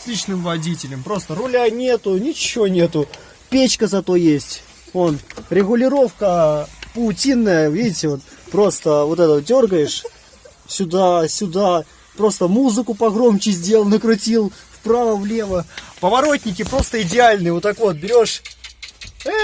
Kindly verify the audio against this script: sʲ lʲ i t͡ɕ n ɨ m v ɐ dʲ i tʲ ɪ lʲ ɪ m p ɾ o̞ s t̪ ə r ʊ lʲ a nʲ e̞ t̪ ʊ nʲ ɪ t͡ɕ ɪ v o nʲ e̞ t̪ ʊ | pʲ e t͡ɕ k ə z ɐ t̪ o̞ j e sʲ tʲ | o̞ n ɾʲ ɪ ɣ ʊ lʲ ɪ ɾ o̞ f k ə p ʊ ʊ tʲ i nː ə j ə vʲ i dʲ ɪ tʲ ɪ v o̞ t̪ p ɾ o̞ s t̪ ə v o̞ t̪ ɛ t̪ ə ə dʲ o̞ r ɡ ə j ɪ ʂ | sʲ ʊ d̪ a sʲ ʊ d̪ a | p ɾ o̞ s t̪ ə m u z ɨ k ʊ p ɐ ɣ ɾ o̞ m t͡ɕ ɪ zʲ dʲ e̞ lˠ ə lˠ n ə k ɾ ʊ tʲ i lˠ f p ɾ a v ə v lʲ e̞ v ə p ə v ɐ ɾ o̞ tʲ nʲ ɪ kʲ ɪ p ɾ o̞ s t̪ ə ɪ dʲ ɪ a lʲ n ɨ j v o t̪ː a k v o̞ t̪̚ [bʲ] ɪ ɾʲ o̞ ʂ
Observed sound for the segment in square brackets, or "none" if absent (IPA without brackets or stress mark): bʲ